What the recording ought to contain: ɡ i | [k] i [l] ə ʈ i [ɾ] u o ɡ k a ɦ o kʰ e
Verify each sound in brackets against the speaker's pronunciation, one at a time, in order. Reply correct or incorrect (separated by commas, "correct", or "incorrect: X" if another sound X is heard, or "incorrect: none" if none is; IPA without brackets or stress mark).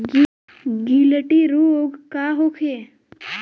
incorrect: ɡ, correct, correct